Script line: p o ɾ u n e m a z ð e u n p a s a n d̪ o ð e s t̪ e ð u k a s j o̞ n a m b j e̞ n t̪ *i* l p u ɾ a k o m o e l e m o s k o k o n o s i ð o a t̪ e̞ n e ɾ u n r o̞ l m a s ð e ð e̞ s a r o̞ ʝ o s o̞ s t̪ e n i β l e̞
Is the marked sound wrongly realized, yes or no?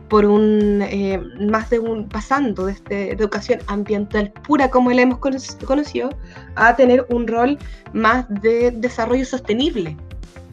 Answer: yes